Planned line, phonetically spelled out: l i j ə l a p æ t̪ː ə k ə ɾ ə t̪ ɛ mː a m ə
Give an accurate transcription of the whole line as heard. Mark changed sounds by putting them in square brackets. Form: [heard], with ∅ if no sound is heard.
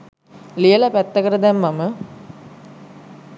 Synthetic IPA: l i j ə l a p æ t̪ː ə k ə ɾ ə [d̪] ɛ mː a m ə